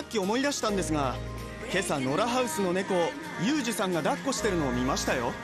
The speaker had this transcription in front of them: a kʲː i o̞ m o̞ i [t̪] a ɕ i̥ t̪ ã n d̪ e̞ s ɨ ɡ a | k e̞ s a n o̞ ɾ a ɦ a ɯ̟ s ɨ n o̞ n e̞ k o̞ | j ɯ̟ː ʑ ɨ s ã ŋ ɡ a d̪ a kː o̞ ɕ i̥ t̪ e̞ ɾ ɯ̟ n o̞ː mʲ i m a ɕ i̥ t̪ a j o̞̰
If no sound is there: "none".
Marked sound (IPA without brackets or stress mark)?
d̪